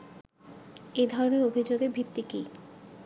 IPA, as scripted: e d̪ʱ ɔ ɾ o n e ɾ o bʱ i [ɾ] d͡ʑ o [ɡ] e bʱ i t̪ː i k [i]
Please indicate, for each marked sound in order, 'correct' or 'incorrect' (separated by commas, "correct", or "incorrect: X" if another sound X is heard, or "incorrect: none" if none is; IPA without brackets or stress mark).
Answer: incorrect: none, correct, correct